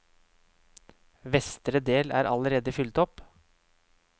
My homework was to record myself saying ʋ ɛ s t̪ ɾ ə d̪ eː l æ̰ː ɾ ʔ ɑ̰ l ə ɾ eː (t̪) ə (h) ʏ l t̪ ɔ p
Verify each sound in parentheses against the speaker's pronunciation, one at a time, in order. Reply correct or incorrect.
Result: incorrect, incorrect

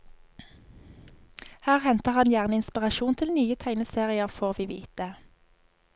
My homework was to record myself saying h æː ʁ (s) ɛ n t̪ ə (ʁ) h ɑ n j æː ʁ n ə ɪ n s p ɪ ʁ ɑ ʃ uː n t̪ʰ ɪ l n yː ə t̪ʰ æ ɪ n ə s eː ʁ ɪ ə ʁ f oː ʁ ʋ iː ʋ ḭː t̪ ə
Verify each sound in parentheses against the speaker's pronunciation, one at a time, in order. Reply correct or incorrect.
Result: incorrect, correct

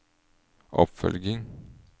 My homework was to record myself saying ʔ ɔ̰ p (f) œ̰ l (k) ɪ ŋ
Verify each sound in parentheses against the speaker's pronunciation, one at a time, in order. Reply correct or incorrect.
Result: correct, incorrect

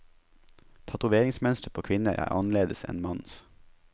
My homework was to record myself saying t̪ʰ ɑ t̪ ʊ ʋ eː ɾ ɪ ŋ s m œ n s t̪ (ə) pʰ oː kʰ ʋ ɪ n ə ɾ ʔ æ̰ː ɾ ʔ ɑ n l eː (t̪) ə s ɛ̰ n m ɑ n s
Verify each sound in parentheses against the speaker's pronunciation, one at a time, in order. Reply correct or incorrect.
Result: correct, incorrect

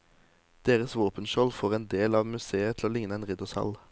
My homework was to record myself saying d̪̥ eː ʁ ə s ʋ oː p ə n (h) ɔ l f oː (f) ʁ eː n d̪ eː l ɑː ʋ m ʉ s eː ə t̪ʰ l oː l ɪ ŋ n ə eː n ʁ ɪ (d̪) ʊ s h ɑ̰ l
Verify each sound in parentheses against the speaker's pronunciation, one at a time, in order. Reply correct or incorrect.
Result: incorrect, incorrect, correct

